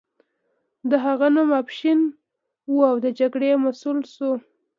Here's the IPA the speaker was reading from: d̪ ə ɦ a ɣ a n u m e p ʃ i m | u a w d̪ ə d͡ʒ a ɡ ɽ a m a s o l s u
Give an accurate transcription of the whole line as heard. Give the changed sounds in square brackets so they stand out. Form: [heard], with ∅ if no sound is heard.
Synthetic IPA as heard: d̪ ə ɦ a ɣ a n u m [a] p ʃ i [n] | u a w d̪ ə d͡ʒ a ɡ ɽ [e] m a s [u] l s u